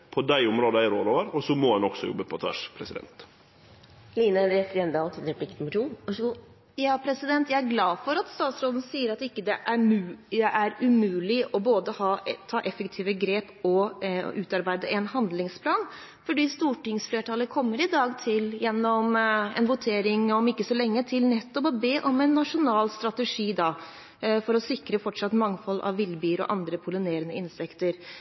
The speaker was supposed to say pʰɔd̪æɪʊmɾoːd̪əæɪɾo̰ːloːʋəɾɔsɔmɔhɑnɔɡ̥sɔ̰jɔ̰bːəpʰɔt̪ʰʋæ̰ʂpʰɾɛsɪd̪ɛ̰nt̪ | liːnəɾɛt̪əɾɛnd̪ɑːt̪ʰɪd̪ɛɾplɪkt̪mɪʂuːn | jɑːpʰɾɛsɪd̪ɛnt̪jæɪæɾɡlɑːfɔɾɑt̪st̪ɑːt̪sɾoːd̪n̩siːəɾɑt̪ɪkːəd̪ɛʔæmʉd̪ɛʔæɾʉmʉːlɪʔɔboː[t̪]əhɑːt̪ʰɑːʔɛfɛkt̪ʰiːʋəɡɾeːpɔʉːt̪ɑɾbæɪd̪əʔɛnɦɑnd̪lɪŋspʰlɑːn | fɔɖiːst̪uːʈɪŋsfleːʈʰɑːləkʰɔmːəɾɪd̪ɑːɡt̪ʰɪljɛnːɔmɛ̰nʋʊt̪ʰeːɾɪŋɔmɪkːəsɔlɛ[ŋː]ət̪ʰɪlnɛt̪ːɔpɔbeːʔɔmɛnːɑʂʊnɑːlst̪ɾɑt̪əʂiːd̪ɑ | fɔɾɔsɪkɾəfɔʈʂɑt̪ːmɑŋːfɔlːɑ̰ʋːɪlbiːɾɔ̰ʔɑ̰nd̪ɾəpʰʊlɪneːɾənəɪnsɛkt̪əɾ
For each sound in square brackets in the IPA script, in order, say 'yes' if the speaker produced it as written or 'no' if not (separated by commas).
no, yes